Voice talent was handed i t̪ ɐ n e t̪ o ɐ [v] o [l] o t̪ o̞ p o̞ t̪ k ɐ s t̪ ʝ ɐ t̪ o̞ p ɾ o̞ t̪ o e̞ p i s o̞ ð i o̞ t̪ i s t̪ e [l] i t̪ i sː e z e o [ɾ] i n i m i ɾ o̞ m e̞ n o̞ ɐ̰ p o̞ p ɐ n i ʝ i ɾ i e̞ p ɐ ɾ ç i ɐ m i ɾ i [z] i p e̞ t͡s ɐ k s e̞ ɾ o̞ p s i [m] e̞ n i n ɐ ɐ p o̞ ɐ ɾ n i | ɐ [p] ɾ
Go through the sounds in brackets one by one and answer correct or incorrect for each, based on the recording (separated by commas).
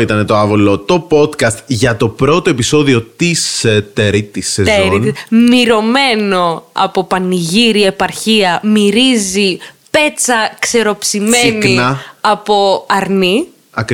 correct, correct, incorrect, correct, correct, correct, incorrect